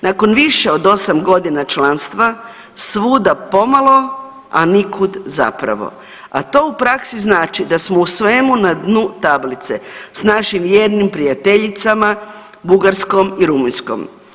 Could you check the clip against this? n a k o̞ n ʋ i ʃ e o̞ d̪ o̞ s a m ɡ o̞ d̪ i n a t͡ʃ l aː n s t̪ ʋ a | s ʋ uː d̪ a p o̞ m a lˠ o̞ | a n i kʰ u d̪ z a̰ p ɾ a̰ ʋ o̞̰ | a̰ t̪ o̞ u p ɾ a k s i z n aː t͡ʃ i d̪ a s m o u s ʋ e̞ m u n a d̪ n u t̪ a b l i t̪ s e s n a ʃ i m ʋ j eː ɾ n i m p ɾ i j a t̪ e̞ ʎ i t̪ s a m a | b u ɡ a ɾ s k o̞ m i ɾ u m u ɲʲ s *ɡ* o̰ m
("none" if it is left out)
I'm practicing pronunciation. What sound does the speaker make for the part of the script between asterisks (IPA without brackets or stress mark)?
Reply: k